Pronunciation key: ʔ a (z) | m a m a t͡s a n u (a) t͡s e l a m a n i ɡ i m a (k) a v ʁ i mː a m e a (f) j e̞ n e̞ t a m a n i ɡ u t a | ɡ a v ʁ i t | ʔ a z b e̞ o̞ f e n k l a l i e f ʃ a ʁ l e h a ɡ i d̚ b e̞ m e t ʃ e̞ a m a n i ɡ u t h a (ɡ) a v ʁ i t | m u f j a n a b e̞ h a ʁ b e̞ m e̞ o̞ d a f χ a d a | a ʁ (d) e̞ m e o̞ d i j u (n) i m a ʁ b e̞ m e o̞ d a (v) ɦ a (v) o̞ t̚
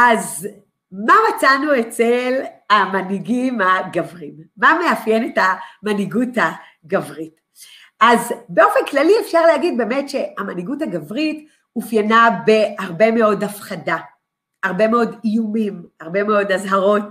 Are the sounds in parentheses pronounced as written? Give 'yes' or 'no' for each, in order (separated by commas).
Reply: yes, no, no, yes, yes, no, no, no, no